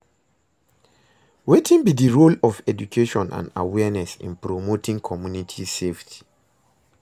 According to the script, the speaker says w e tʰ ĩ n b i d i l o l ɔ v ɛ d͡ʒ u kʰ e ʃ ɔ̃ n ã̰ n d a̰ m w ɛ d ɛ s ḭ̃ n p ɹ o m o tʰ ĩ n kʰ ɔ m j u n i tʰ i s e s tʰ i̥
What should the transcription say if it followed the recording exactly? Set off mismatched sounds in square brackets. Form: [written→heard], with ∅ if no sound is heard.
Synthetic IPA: w e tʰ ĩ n b i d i [l→ɹ] o l ɔ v ɛ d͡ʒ u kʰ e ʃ ɔ̃ n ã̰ n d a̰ [m→∅] w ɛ [d→n] ɛ s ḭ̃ n p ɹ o m o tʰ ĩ [n→ŋ] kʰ ɔ m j u n i tʰ i s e [s→f] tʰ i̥